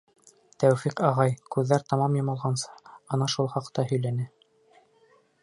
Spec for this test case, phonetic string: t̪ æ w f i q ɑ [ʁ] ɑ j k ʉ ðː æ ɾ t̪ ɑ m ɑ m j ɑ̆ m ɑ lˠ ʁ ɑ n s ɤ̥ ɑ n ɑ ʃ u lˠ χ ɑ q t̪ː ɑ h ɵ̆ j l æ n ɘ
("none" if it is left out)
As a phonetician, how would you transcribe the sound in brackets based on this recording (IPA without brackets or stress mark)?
ʁ